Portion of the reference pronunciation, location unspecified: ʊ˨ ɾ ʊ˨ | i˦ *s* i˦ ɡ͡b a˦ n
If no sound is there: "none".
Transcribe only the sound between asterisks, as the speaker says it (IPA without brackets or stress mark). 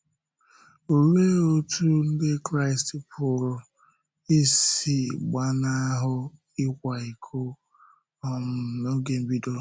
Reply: s